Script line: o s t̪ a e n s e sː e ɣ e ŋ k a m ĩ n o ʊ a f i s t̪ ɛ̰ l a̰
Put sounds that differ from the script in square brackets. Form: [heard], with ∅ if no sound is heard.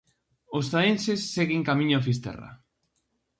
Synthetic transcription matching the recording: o s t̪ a e n s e sː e ɣ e ŋ k a m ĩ [ɲ] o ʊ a f i s t̪ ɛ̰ [r] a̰